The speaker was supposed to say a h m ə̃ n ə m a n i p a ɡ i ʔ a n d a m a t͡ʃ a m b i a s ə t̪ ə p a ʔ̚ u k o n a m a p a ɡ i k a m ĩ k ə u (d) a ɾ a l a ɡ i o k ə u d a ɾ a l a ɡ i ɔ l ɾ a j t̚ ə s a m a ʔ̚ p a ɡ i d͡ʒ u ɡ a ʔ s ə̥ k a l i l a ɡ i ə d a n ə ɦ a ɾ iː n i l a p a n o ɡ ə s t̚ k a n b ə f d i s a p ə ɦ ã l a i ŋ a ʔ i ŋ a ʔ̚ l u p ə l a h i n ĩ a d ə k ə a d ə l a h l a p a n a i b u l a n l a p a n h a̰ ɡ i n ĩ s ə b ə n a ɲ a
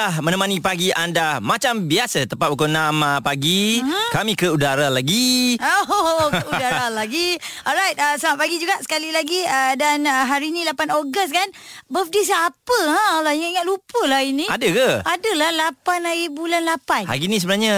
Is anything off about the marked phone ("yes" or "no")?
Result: no